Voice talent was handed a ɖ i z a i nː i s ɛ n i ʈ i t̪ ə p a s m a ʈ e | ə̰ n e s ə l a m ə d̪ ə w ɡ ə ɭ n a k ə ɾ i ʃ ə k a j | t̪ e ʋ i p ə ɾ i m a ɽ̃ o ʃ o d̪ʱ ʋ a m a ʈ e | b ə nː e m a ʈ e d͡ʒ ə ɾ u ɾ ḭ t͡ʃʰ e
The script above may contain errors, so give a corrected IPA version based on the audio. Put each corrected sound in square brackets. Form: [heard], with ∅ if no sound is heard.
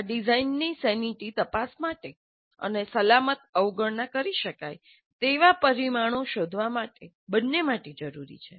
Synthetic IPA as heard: a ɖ i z a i nː i s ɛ n i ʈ i t̪ ə p a s m a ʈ e | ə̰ n e s ə l a m ə [t̪] ə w ɡ ə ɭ n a k ə ɾ i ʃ ə k a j | t̪ e ʋ [a] p ə ɾ i m a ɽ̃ o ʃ o d̪ʱ ʋ a m a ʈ e | b ə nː e m a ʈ e d͡ʒ ə ɾ u ɾ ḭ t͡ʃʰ e